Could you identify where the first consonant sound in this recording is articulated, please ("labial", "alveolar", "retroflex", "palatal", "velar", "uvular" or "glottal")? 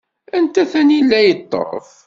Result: alveolar